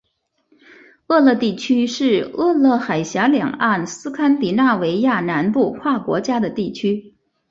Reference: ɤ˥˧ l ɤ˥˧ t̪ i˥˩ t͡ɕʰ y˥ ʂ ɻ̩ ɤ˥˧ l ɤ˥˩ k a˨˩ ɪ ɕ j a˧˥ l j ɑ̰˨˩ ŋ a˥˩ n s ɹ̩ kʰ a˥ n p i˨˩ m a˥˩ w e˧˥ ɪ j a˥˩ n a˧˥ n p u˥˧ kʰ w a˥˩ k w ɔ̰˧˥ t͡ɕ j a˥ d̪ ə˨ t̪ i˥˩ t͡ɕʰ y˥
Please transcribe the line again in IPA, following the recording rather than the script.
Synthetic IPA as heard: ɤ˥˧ l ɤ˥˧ t̪ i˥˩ t͡ɕʰ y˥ ʂ ɻ̩ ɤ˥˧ l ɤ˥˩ x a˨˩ ɪ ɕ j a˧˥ l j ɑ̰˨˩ ŋ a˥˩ n s ɹ̩ kʰ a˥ n p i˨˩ n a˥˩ w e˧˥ ɪ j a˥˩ n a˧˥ n p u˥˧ kʰ w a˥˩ k w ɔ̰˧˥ t͡ɕ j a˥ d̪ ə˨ t̪ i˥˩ t͡ɕʰ y˥